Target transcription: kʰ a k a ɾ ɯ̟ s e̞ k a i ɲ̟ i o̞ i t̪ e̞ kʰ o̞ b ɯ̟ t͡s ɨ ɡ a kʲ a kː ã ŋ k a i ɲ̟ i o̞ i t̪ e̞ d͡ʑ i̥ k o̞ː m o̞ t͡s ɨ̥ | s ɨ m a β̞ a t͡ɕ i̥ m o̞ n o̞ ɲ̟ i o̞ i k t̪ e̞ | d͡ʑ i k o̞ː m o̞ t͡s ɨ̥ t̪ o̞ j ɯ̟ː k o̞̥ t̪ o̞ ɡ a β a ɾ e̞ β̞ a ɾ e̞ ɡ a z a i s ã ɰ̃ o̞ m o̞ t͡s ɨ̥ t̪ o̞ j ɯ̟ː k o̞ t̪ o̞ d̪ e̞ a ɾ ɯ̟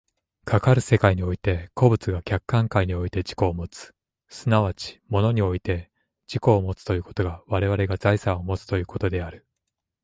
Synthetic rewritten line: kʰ a k a ɾ ɯ̟ s e̞ k a i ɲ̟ i o̞ i t̪ e̞ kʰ o̞ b ɯ̟ t͡s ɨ ɡ a kʲ a kː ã ŋ k a i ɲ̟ i o̞ i t̪ e̞ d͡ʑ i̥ k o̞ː m o̞ t͡s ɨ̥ | s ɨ n a β̞ a t͡ɕ i̥ m o̞ n o̞ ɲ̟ i o̞ i t̪ e̞ | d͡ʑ i k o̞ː m o̞ t͡s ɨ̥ t̪ o̞ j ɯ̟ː k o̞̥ t̪ o̞ ɡ a β a ɾ e̞ β̞ a ɾ e̞ ɡ a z a i s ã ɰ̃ o̞ m o̞ t͡s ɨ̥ t̪ o̞ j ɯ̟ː k o̞ t̪ o̞ d̪ e̞ a ɾ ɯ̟

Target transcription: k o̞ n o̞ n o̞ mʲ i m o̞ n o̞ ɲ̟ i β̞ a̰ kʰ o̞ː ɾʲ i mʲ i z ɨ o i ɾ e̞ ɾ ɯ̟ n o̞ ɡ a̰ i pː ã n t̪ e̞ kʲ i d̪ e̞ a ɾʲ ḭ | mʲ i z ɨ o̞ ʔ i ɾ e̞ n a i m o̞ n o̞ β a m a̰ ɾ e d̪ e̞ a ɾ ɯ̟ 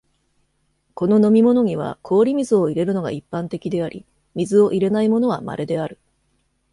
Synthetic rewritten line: k o̞ n o̞ n o̞ mʲ i m o̞ n o̞ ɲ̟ i β̞ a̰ kʰ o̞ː ɾʲ i mʲ i z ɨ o i ɾ e̞ ɾ ɯ̟ n o̞ ɡ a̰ i pː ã n t̪ e̞ kʲ i d̪ e̞ a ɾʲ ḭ | mʲ i z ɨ o̞ ʔ i ɾ e̞ n a i m o̞ n o̞ β a m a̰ ɾ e d̪ e̞ a ɾ ɯ̟

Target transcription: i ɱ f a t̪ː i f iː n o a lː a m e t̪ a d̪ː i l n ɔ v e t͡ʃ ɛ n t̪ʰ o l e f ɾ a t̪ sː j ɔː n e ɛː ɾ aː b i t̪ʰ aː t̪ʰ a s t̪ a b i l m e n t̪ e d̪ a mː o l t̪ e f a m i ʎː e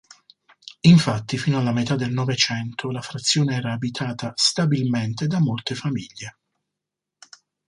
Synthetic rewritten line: i ɱ f a t̪ː i f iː n o a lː a m e t̪ a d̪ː e l n ɔ v e t͡ʃ ɛ n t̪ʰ o l a f ɾ a t̪ sː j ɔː n e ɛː ɾ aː b i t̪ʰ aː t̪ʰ a s t̪ a b i l m e n t̪ e d̪ a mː o l t̪ e f a m i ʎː e

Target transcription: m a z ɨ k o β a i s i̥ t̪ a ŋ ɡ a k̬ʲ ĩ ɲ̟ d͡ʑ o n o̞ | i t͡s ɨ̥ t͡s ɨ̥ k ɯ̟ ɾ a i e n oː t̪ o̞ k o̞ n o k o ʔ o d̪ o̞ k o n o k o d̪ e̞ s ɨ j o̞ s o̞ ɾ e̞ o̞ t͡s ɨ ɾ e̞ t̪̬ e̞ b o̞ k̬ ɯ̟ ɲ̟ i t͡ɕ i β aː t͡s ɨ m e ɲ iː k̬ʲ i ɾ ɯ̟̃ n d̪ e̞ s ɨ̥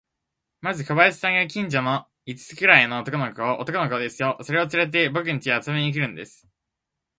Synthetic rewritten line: m a z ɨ k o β a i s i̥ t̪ a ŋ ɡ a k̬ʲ ĩ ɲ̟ d͡ʑ o n o̞ | i t͡s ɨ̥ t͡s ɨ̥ k ɯ̟ ɾ a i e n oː t̪ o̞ k o̞ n o k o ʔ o t̪ o̞ k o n o k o d̪ e̞ s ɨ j o̞ s o̞ ɾ e̞ o̞ t͡s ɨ ɾ e̞ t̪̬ e̞ b o̞ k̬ ɯ̟ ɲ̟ i t͡ɕ i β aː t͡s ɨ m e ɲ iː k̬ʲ i ɾ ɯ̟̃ n d̪ e̞ s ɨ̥

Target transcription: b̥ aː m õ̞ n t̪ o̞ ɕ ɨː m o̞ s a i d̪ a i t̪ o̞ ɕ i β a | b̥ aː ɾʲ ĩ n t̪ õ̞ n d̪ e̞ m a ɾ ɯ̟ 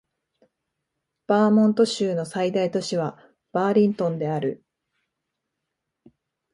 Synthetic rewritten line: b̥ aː m õ̞ n t̪ o̞ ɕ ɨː n o̞ s a i d̪ a i t̪ o̞ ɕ i β a | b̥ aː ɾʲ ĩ n t̪ õ̞ n d̪ e̞ a ɾ ɯ̟

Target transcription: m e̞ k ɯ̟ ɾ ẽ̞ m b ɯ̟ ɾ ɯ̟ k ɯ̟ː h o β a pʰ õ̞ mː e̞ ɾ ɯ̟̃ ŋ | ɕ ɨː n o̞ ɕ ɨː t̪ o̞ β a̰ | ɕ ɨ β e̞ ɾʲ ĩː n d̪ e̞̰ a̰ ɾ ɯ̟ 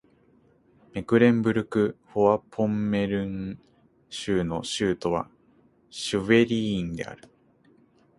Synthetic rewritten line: m e̞ k ɯ̟ ɾ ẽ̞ m b ɯ̟ ɾ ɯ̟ k ɯ̟ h o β a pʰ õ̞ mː e̞ ɾ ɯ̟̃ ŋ | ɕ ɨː n o̞ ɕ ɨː t̪ o̞ β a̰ | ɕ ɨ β e̞ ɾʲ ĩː n d̪ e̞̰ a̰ ɾ ɯ̟

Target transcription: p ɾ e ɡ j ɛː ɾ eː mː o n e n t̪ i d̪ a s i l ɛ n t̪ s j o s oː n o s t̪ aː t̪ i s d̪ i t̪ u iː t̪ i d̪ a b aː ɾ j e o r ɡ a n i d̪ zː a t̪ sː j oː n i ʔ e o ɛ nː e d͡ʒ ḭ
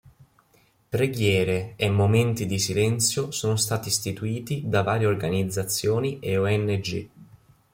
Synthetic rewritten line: p ɾ e ɡ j ɛː ɾ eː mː o m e n t̪ i d̪ i s i l ɛ n t̪ s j o s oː n o s t̪ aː t̪ i s t̪ i t̪ u iː t̪ i d̪ a v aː ɾ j e o r ɡ a n i d̪ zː a t̪ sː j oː n i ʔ e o ɛ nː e d͡ʒ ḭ

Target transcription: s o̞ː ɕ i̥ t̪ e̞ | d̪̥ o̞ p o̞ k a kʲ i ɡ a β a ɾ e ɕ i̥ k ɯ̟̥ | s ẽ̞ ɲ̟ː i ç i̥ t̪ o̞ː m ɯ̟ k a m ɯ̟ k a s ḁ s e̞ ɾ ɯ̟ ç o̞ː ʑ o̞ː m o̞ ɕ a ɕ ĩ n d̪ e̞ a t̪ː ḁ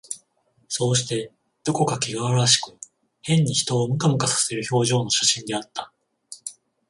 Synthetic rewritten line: s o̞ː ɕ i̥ t̪ e̞ | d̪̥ o̞ k o̞ k a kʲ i ɡ a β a ɾ a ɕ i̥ k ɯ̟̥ | h ẽ̞ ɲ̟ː i ç i̥ t̪ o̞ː m ɯ̟ k a m ɯ̟ k a s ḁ s e̞ ɾ ɯ̟ ç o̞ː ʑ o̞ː n o̞ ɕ a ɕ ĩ n d̪ e̞ a t̪ː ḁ

